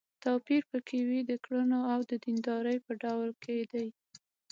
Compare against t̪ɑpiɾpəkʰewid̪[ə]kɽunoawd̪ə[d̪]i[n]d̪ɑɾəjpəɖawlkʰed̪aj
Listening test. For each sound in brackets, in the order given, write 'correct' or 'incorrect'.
correct, correct, correct

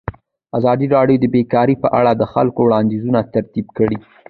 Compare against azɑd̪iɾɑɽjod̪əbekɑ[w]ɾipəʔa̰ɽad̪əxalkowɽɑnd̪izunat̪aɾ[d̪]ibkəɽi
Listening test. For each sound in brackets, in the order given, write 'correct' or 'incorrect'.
incorrect, incorrect

